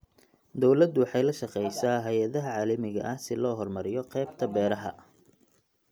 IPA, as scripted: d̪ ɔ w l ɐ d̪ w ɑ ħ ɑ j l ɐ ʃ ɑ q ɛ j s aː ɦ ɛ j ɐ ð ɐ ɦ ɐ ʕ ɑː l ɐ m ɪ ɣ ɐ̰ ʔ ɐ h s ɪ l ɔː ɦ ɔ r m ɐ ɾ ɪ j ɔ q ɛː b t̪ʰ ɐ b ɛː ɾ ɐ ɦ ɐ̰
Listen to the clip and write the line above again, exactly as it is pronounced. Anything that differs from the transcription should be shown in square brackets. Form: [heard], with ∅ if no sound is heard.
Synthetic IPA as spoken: d̪ ɔ w l ɐ d̪ w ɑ ħ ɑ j l ɐ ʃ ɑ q ɛ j s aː ɦ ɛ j ɐ ð ɐ ɦ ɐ ʕ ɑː l ɐ m ɪ ɣ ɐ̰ ʔ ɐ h s ɪ l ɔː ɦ ɔ r m ɐ ɾ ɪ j ɔ q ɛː b t̪ʰ ɐ b ɛː ɾ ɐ ɦ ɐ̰